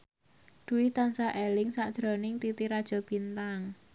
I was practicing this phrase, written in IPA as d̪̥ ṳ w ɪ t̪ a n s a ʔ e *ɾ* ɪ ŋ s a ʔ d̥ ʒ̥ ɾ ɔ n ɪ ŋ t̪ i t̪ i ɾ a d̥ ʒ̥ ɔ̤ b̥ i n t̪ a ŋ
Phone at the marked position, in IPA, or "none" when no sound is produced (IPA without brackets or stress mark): l